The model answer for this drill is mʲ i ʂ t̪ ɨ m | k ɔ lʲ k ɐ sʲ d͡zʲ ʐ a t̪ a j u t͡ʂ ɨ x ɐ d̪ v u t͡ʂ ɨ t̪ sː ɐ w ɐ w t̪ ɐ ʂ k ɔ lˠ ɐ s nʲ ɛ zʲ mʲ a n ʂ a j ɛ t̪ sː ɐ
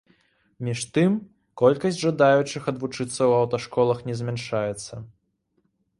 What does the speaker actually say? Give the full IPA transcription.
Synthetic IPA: mʲ i ʂ t̪ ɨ m | k ɔ lʲ k ɐ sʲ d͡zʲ ʐ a d̪ a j u t͡ʂ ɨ x ɐ d̪ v u t͡ʂ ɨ t̪ sː ɐ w ɐ w t̪ ɐ ʂ k ɔ lˠ ɐ x nʲ ɛ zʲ mʲ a n ʂ a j ɛ t̪ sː ɐ